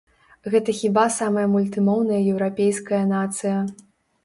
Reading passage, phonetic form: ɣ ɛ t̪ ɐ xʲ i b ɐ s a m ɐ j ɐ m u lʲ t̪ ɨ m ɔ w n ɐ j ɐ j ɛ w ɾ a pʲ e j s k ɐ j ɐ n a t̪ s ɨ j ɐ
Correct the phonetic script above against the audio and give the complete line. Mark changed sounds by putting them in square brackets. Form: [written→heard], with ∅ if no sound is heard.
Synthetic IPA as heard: ɣ ɛ t̪ ɐ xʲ i b [ɐ→a] s a m ɐ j ɐ m u lʲ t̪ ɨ m ɔ w n ɐ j ɐ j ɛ w ɾ a pʲ e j s k ɐ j ɐ n a t̪ s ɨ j ɐ